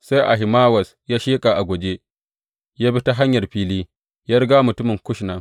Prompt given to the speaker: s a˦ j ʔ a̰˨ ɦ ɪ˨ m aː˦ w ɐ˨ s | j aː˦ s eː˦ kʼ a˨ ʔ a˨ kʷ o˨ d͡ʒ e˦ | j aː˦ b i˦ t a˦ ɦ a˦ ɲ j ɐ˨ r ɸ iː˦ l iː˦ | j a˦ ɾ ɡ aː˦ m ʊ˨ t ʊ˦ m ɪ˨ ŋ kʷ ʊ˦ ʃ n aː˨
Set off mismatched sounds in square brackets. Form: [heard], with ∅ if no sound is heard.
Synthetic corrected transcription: s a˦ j ʔ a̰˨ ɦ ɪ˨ m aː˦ w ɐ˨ s | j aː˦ [ʃ] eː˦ kʼ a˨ ʔ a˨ [ɡʷ] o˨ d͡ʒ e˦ | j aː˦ b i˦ t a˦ ɦ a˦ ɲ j ɐ˨ r ɸ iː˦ l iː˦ | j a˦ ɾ ɡ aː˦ m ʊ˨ t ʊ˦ m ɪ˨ ŋ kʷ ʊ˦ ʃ n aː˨